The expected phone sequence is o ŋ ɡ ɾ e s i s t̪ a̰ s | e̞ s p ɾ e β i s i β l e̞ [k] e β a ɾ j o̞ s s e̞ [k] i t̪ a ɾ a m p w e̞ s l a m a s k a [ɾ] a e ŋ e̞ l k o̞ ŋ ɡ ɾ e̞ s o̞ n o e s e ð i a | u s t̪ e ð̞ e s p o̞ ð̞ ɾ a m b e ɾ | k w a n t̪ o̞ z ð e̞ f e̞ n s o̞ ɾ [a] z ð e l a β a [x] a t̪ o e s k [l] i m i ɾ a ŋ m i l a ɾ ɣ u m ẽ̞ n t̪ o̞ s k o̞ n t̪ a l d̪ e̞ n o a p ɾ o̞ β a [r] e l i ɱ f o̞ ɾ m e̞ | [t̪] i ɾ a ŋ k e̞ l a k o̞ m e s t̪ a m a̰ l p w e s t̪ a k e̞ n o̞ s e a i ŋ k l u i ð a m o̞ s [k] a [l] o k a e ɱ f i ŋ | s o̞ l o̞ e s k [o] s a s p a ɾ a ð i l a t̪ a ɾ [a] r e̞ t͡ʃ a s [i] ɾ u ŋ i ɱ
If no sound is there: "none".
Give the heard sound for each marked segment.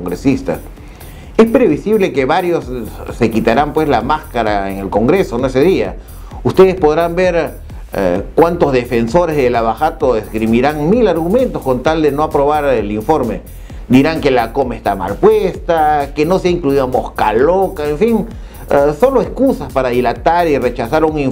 k, k, ɾ, e, x, ɾ, ɾ, d̪, k, l, u, i, a

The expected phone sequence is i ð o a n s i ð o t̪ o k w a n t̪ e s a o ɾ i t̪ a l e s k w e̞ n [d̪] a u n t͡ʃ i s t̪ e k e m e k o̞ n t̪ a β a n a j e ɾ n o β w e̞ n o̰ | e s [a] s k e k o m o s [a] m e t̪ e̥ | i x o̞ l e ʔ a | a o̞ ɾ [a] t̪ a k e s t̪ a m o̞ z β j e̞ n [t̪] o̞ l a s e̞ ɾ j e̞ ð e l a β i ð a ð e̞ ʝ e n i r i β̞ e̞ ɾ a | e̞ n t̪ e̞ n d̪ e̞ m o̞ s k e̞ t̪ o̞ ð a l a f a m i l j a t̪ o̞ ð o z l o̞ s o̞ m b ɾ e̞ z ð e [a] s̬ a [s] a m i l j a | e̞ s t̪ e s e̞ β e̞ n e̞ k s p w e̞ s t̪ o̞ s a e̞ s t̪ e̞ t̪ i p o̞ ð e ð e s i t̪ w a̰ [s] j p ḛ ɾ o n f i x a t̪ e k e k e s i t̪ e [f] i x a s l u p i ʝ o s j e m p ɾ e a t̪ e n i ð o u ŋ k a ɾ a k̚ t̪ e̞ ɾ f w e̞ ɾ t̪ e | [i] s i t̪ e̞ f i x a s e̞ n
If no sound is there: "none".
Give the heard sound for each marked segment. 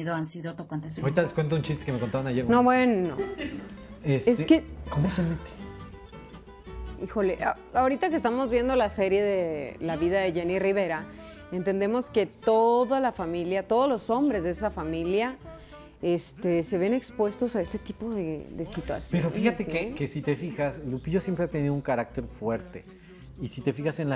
t̪, e, e, i, d̪, e, f, s, f, i

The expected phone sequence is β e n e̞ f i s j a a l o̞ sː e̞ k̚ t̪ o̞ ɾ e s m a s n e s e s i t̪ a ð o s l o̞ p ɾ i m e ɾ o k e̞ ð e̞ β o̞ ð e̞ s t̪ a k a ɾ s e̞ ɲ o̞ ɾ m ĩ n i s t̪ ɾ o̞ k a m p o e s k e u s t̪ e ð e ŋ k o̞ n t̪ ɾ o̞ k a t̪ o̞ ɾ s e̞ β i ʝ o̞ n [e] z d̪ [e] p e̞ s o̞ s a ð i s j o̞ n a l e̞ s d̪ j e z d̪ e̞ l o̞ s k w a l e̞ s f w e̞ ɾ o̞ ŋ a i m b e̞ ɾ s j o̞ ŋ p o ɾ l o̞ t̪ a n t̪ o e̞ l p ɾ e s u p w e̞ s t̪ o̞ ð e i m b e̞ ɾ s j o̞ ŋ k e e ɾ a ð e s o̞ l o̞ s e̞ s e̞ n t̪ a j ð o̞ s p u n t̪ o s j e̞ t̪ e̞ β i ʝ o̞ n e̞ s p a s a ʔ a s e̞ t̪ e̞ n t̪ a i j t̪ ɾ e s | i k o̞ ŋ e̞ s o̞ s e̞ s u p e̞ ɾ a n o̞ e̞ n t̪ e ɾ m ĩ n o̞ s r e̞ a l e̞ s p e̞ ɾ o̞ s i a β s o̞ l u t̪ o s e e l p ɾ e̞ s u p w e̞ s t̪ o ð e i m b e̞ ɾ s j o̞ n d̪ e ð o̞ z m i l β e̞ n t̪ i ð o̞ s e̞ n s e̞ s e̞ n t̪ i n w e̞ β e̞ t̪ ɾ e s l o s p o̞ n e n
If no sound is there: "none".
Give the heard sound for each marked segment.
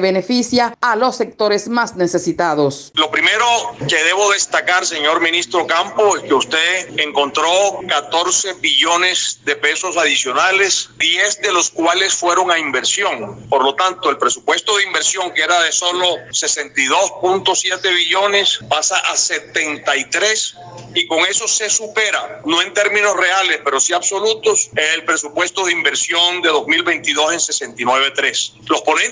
e, e

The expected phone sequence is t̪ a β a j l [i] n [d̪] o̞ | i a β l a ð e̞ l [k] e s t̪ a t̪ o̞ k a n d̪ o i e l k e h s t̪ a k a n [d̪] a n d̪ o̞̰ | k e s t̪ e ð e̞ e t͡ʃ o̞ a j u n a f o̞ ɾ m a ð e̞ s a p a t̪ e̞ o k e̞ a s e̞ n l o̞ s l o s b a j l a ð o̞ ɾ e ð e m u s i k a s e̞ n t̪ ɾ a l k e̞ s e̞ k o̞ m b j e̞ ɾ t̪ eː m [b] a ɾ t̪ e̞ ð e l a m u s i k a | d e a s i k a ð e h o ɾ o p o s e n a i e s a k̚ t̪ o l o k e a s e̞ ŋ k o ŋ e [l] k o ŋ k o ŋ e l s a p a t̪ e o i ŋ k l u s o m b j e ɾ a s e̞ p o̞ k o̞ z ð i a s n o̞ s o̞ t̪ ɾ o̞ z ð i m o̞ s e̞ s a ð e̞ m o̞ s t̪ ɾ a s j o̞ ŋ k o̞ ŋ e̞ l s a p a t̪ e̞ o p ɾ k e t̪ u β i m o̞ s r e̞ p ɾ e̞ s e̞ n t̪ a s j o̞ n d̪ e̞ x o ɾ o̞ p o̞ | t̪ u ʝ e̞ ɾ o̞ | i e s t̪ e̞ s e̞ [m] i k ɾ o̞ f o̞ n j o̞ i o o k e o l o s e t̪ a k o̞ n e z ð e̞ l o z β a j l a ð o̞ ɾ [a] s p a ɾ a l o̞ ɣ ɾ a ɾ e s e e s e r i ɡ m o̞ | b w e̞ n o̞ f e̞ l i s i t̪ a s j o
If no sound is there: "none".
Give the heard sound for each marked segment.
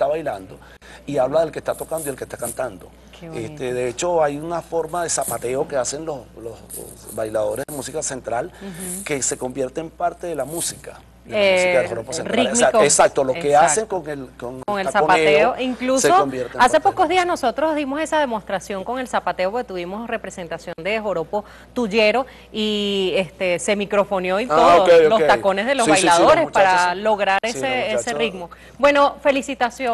a, d̪, k, t̪, p, l, m, e

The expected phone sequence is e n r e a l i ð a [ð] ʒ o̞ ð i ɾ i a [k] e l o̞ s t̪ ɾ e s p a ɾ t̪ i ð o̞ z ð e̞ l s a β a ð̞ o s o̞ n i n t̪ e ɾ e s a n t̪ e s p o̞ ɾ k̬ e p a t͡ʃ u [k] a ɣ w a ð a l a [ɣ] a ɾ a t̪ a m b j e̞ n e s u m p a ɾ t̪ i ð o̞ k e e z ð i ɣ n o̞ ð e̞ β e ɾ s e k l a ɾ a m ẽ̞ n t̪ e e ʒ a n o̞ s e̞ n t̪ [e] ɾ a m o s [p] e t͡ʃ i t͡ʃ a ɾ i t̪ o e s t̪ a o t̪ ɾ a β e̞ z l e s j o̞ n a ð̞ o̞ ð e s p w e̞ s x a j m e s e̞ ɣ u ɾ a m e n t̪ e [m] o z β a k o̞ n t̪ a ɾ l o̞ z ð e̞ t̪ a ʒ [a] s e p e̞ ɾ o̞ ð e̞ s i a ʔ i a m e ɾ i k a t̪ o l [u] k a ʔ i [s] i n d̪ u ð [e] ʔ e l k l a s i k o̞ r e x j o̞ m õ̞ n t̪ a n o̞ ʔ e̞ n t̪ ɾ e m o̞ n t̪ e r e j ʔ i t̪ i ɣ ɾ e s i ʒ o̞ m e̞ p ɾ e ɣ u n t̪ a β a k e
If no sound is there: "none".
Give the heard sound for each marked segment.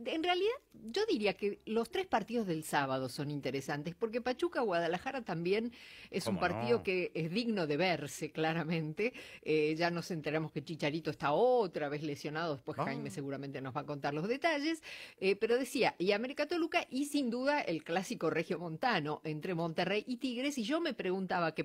ð, k, k, x, e, k, n, e, u, s, a

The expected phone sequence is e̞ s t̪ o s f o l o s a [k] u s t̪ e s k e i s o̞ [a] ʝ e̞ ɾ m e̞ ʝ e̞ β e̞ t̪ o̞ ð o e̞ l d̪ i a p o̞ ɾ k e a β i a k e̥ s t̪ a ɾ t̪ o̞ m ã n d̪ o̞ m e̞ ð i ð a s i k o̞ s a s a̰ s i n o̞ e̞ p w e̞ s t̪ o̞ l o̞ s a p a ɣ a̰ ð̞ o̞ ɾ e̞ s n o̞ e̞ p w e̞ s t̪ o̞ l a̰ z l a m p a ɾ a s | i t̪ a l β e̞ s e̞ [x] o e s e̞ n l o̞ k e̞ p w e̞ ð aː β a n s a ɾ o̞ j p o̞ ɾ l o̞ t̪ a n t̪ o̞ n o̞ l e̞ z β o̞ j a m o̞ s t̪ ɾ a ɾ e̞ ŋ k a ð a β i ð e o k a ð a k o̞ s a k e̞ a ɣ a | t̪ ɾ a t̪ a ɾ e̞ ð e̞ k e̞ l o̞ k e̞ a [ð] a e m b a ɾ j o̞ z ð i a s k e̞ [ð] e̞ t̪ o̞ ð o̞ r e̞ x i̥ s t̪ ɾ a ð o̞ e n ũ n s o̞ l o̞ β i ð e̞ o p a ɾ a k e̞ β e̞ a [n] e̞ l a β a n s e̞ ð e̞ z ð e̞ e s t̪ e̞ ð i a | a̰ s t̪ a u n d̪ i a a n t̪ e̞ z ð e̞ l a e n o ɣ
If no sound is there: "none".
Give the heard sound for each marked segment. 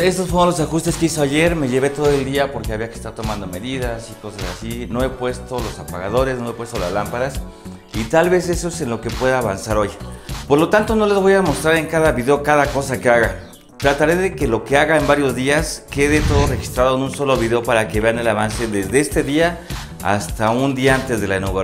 x, a, s, ɣ, ð, n

